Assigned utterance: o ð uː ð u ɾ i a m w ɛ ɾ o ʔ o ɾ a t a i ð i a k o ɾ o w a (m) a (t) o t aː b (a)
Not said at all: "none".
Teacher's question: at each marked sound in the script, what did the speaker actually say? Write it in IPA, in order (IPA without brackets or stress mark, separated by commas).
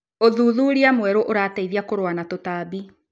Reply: n, t, i